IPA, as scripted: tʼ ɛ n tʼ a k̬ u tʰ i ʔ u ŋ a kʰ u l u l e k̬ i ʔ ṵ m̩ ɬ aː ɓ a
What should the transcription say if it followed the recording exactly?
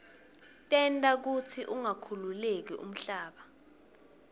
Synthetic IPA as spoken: tʼ ɛ n tʼ a k̬ u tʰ i ʔ u ŋ a kʰ u l u l e k̬ i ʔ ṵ m̩ ɬ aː ɓ a